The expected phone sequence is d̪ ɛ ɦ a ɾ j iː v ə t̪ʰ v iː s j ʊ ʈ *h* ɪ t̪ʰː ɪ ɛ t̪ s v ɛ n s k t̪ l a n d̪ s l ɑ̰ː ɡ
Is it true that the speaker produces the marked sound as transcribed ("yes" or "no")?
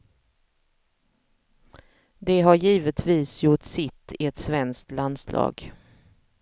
no